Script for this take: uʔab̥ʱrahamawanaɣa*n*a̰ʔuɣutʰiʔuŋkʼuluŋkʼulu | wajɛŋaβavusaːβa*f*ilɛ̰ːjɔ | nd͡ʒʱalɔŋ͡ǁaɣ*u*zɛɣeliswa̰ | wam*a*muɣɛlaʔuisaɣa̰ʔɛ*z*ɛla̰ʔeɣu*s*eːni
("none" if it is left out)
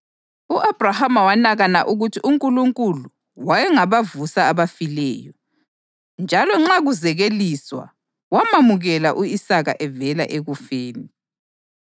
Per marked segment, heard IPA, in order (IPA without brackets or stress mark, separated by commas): n, f, u, a, v, f